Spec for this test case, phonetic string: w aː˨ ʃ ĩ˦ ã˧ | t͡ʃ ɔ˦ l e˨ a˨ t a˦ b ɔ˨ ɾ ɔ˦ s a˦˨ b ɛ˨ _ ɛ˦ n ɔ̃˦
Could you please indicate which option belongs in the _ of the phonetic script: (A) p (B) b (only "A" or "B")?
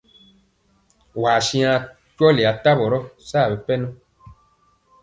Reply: A